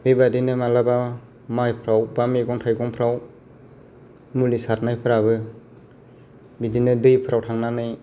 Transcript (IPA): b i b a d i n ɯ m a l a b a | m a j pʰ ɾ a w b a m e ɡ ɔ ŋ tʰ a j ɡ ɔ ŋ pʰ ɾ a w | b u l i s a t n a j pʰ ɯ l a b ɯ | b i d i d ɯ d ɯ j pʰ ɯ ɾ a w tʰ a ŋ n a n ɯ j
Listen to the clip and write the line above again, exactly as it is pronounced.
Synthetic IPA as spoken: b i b a d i n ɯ m a l a b a | m a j pʰ ɾ a w b a m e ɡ ɔ ŋ tʰ a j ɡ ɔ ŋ pʰ ɾ a w | m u l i s a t n a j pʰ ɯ ɾ a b ɯ | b i d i n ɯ d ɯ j pʰ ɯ ɾ a w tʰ a ŋ n a n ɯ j